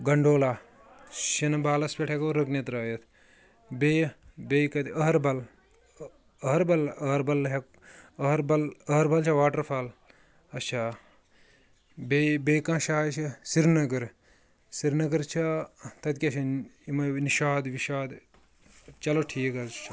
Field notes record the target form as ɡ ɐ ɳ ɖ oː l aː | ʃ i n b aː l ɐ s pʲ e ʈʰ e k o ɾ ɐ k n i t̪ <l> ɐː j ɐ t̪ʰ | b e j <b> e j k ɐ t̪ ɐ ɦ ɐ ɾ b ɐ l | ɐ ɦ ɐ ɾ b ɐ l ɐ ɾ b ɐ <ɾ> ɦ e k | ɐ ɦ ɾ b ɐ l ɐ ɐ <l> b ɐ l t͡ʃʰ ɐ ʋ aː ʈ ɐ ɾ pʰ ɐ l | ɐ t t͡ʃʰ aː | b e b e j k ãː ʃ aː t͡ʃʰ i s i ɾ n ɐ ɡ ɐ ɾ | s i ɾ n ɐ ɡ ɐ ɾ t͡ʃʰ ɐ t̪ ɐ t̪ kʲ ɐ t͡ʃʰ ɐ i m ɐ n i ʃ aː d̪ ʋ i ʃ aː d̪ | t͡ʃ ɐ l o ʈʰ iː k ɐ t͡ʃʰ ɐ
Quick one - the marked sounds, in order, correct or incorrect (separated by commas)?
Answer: incorrect, correct, incorrect, incorrect